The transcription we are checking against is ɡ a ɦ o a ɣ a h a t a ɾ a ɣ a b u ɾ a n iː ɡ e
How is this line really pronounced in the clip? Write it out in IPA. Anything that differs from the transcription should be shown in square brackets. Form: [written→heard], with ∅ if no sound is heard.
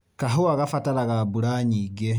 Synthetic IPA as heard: [ɡ→k] a ɦ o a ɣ a [h→f] a t a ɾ a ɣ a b u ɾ a [n→ɲ] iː ɡ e